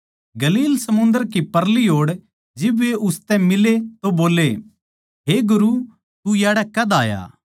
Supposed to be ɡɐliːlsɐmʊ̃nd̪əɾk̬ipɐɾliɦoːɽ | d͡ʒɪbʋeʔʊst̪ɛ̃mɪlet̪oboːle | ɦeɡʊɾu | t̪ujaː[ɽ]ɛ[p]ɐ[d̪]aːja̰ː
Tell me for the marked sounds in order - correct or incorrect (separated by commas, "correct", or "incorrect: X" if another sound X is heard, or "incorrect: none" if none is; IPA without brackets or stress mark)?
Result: correct, incorrect: k, correct